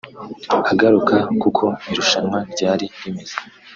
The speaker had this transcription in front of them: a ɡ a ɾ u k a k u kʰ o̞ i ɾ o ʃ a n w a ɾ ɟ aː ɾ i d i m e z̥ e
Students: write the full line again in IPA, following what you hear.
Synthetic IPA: a ɡ a ɾ u k a k u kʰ o̞ i ɾ u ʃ a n w a ɾ ɟ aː ɾ i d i m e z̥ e